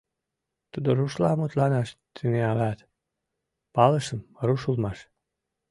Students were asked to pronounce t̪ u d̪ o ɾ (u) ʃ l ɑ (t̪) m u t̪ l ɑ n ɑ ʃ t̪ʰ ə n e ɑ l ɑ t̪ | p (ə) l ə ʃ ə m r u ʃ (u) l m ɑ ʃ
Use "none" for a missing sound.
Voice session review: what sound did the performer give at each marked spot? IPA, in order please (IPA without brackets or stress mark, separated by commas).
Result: u, none, ɑ, u